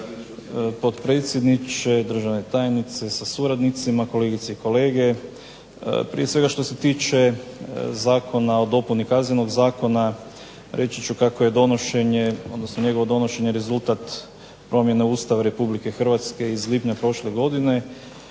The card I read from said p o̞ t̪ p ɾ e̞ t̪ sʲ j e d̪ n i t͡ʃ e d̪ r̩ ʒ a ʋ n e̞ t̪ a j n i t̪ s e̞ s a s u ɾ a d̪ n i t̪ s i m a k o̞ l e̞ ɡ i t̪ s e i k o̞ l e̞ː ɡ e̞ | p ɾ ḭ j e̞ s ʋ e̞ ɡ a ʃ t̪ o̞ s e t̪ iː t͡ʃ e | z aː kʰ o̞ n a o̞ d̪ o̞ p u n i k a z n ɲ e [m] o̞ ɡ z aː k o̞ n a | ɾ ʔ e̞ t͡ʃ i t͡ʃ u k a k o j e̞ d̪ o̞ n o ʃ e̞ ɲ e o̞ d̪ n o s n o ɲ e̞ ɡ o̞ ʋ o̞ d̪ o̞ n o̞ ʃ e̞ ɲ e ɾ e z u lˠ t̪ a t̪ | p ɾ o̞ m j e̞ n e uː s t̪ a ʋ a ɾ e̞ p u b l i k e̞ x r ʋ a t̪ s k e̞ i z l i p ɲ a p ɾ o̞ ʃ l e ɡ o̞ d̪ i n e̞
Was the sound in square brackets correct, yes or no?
no